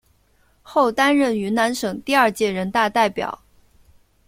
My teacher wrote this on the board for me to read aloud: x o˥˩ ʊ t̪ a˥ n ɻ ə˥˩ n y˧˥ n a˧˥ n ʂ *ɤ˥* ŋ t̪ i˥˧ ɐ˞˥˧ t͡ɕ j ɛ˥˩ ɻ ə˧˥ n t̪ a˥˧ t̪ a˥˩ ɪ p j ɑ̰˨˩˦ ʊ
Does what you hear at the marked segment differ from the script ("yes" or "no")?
yes